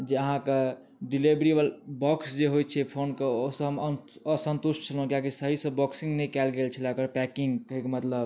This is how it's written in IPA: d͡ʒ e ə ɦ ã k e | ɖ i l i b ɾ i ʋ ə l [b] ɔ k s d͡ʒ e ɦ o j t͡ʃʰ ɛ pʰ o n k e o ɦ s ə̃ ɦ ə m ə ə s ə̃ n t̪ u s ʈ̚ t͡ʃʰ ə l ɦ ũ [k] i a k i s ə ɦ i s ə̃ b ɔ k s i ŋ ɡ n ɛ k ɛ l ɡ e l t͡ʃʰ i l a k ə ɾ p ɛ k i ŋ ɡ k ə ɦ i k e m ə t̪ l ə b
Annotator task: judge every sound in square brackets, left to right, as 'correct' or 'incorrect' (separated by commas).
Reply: correct, correct